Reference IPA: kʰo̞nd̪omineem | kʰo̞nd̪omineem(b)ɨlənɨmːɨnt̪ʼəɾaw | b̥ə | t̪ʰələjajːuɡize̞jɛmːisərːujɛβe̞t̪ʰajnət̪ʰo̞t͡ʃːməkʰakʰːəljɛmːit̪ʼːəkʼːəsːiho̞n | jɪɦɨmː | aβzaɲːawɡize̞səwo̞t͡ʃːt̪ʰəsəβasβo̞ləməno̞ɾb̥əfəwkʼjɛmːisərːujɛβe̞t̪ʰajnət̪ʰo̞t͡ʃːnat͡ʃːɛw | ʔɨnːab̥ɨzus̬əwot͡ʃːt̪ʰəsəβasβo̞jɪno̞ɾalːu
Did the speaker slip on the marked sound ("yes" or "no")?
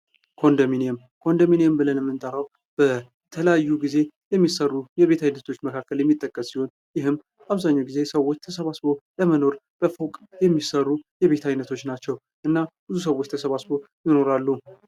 no